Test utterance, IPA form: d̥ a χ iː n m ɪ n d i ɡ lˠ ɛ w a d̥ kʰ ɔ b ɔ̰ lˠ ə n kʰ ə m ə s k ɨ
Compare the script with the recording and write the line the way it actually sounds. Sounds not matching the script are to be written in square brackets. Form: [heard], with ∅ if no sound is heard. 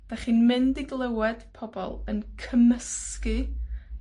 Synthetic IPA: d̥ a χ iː n m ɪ n d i ɡ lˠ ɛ w [ɛ] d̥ [pʰ] ɔ b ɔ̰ lˠ ə n kʰ ə m ə s k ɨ

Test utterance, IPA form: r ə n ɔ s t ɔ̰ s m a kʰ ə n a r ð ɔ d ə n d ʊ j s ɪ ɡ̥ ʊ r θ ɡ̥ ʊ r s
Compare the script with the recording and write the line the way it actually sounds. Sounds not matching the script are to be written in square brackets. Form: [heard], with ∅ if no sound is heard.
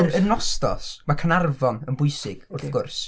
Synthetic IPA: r ə n ɔ s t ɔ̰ s m a kʰ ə n a r [v] ɔ [n] ə n [b] ʊ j s ɪ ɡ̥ ʊ r θ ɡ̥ ʊ r s

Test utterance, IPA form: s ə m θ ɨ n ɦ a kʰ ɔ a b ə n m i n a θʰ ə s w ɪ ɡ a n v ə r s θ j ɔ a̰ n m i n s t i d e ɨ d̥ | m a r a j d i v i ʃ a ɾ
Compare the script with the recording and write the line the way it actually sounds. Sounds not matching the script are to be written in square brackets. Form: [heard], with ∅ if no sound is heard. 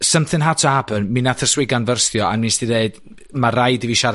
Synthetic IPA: s ə m θ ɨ n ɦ a [tʰ] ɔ a b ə n m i n a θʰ ə s w ɪ ɡ a n v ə r s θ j ɔ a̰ n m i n s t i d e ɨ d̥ | m a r a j d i v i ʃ a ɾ

